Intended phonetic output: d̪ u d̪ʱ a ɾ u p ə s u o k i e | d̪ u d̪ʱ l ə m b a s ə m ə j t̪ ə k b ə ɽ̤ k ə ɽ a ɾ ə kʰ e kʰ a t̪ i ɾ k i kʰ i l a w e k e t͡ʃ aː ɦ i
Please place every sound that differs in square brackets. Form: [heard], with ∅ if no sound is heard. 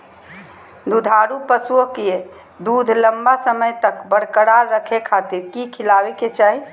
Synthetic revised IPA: d̪ u d̪ʱ a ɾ u p ə s u o k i e | d̪ u d̪ʱ l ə m b a s ə m ə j t̪ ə k b ə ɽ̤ k ə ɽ a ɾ ə kʰ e kʰ a t̪ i ɾ k i kʰ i l a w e k e t͡ʃ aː ɦ i